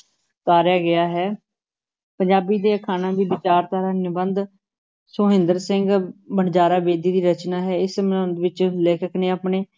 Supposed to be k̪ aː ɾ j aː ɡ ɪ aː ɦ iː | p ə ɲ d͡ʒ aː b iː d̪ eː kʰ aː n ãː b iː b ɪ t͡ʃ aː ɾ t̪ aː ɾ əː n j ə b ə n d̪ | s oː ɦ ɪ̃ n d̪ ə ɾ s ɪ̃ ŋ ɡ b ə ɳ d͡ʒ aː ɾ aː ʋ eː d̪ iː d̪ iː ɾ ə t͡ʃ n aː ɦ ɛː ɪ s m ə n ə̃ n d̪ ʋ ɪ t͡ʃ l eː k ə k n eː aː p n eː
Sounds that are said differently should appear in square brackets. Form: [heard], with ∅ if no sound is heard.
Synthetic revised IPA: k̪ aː ɾ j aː ɡ ɪ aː ɦ [ɛː] | p ə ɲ d͡ʒ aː b iː d̪ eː kʰ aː n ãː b iː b ɪ t͡ʃ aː ɾ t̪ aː ɾ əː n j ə b ə n d̪ | s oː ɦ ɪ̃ n d̪ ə ɾ s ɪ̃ ŋ ɡ b ə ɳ d͡ʒ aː ɾ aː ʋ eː d̪ iː d̪ iː ɾ ə t͡ʃ n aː ɦ ɛː ɪ s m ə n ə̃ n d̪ ʋ ɪ t͡ʃ l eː k ə k n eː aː p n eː